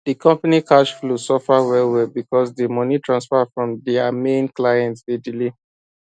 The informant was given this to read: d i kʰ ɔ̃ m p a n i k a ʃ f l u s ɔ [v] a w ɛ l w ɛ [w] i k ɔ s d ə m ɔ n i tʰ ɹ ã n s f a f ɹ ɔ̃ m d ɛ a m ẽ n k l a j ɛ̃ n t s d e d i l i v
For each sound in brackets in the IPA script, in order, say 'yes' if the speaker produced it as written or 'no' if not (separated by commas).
no, no